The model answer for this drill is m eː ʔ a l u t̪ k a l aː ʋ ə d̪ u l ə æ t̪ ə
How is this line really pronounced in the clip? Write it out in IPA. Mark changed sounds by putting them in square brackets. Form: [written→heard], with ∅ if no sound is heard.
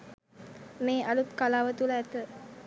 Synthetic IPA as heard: m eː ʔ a l u t̪ k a l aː ʋ ə [d̪→t̪] u l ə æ t̪ ə